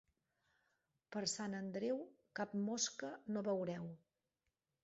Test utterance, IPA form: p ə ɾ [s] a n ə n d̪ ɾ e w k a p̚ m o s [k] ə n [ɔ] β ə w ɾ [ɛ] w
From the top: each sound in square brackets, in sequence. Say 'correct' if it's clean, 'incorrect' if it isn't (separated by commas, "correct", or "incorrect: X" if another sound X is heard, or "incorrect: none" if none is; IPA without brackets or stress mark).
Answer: correct, correct, incorrect: o, correct